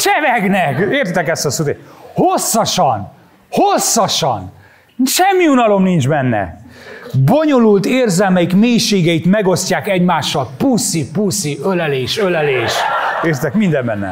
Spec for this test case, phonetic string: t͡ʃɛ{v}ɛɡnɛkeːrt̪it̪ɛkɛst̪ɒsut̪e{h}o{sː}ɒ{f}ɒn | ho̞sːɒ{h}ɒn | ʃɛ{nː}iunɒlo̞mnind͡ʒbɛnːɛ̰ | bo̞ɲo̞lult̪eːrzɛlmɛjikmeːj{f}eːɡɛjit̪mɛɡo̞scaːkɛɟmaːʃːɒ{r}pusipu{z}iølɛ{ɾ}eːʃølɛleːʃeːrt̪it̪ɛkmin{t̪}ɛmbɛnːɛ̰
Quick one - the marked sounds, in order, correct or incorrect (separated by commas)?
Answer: correct, correct, correct, incorrect, incorrect, incorrect, incorrect, incorrect, incorrect, incorrect, incorrect